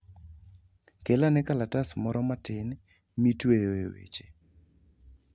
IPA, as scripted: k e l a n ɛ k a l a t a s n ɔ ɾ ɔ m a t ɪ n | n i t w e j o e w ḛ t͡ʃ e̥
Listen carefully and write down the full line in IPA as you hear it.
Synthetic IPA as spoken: k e l a n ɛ k a l a t a s m ɔ ɾ ɔ m a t ɪ n | m i t w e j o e w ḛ t͡ʃ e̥

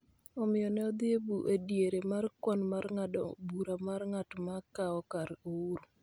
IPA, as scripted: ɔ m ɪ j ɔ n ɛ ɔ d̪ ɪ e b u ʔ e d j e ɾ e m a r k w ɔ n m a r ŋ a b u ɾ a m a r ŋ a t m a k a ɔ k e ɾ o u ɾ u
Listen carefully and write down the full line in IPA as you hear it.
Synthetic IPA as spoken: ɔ m ɪ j ɔ n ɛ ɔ d̪ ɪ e b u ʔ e d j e ɾ e m a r k w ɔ n m a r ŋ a b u ɾ a m a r ŋ a t m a k a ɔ k a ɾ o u ɾ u

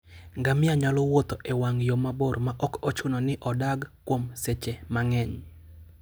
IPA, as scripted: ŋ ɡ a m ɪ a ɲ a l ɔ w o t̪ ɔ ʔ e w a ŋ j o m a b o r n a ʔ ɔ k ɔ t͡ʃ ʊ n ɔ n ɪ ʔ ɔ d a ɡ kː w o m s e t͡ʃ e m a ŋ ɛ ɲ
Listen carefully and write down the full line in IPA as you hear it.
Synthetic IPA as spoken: ŋ ɡ a m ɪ a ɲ a l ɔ w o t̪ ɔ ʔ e w a ŋ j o m a b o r m a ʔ ɔ k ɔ t͡ʃ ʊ n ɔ n ɪ ʔ ɔ d a ɡ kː w o m s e t͡ʃ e m a ŋ ɛ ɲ

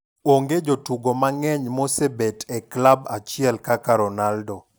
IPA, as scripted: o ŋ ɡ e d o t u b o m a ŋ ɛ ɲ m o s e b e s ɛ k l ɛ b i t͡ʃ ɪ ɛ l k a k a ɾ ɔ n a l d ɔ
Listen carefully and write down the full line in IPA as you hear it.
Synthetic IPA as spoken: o ŋ ɡ e d͡ʒ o t u ɡ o m a ŋ ɛ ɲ m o s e b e t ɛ k l a b a t͡ʃ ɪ ɛ l k a k a ɾ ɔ n a l d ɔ

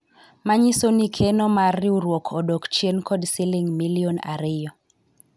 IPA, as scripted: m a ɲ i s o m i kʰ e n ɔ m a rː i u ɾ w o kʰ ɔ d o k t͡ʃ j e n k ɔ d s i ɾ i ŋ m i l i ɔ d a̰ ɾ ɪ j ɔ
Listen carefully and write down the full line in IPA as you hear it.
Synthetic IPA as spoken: m a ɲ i s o n i kʰ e n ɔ m a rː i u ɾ w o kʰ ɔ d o k t͡ʃ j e n k ɔ d s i l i ŋ m i l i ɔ n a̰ ɾ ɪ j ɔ

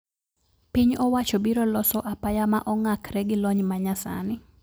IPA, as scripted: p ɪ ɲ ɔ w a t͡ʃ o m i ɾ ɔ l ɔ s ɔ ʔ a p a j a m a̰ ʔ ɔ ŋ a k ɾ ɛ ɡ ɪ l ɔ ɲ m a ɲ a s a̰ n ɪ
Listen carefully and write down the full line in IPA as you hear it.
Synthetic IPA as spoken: p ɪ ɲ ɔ w a t͡ʃ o b i ɾ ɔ l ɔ s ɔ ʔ a p a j a m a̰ ʔ ɔ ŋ a k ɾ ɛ ɡ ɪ l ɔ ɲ m a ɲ a s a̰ n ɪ

